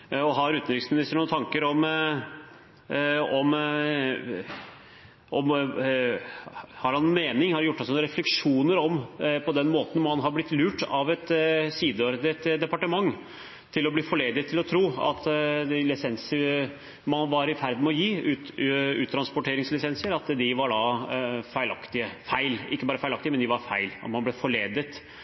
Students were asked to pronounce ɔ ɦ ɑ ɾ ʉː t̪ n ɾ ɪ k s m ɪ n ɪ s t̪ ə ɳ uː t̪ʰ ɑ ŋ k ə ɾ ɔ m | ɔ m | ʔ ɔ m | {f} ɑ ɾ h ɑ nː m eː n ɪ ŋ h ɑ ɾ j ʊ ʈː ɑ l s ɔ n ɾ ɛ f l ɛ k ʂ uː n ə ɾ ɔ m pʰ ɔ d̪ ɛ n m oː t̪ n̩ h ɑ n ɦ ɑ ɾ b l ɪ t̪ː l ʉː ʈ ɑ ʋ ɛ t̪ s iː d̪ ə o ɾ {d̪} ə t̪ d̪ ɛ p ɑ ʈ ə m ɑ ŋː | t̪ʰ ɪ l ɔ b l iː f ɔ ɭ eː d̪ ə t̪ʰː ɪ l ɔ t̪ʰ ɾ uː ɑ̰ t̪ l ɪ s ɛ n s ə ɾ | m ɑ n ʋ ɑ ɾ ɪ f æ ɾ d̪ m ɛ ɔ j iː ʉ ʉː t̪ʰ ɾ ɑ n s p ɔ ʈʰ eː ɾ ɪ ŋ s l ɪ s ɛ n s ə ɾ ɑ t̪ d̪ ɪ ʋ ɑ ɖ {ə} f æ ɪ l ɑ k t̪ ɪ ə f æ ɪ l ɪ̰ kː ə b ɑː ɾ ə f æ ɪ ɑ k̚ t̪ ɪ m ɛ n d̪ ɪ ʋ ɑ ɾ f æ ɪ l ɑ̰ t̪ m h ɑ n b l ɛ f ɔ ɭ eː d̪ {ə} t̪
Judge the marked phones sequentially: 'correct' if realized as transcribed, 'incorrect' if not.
incorrect: h, correct, incorrect: ɑ, correct

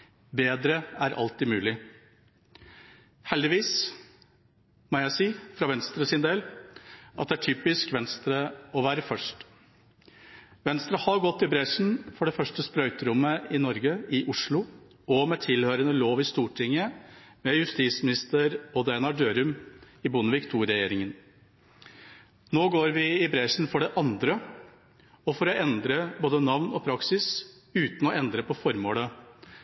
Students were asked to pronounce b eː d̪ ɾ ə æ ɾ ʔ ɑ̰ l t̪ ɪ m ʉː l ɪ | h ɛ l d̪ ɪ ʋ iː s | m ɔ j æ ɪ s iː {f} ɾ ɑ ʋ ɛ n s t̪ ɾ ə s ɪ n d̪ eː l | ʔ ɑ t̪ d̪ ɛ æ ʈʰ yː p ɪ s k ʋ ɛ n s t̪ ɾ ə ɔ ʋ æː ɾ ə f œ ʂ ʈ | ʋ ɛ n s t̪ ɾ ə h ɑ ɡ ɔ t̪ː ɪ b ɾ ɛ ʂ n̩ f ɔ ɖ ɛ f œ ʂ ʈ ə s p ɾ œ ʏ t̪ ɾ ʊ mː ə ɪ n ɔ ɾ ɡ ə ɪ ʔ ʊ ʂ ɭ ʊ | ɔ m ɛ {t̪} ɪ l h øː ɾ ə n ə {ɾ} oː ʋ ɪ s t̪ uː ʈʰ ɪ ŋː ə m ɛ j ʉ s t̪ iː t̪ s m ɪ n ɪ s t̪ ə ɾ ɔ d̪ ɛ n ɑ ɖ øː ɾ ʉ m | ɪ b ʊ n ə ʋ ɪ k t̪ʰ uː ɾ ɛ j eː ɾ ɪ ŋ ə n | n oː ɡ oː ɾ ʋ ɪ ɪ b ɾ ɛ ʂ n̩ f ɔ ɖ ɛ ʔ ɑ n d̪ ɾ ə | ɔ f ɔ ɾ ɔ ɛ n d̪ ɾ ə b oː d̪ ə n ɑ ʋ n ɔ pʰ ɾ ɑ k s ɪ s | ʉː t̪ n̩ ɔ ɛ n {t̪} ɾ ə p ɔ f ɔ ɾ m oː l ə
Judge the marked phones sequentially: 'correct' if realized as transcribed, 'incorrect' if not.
correct, incorrect: t̪ʰ, incorrect: l, incorrect: d̪

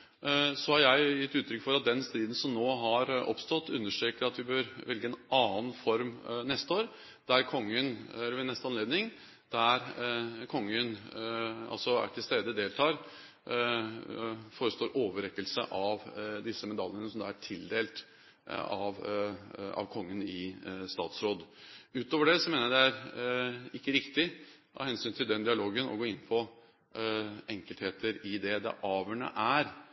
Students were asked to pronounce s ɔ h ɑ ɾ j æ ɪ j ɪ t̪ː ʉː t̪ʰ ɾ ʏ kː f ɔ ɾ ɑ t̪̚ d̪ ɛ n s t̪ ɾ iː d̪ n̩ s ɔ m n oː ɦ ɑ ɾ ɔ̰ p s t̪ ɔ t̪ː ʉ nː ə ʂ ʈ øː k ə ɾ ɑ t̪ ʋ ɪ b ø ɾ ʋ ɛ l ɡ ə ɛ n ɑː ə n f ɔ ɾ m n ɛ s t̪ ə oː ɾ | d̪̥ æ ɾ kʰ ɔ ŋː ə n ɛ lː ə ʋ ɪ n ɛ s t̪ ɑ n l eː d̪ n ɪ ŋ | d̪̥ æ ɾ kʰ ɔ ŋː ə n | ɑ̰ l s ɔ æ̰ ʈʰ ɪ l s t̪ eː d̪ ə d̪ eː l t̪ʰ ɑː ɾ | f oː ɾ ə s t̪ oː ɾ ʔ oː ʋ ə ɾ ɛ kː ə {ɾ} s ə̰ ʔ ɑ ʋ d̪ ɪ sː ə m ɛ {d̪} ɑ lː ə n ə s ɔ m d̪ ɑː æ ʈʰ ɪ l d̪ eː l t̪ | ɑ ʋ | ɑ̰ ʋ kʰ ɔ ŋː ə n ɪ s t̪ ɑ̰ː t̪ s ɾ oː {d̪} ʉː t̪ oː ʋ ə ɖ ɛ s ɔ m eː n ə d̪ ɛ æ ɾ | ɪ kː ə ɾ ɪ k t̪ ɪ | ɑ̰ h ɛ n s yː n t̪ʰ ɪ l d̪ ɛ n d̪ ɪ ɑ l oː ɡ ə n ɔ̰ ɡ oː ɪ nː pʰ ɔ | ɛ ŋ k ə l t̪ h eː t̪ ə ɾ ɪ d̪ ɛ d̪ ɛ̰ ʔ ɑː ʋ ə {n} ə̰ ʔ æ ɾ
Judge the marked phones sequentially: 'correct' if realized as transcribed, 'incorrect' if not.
incorrect: l, correct, correct, incorrect: ɳ

